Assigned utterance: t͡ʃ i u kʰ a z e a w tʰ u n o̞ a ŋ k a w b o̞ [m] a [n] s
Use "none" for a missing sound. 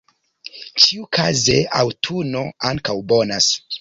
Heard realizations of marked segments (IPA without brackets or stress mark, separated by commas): n, none